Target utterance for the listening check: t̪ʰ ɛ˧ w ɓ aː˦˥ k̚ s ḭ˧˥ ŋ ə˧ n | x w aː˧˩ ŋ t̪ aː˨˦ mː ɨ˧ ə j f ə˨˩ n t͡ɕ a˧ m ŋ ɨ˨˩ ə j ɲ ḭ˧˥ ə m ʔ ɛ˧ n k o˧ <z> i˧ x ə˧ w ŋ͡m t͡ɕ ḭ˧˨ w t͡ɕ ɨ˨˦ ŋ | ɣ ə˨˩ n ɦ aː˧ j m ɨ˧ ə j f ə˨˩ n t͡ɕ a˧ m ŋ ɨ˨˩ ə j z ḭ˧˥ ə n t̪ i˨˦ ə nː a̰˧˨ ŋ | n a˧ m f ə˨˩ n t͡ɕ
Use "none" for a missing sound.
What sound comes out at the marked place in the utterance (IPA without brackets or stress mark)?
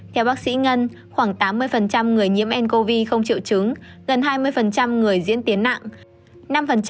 v